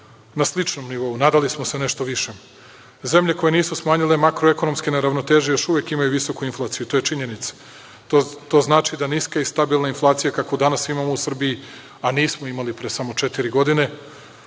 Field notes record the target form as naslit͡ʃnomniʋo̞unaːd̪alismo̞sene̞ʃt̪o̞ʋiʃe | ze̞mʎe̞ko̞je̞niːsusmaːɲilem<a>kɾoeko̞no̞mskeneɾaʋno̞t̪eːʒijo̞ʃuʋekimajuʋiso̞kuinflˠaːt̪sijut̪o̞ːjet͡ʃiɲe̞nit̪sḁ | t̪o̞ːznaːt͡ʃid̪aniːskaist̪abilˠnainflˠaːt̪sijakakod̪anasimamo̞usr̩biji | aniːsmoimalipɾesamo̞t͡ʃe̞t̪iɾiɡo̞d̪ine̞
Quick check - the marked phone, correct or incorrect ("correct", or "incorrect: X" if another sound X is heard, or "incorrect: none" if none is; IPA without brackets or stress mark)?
correct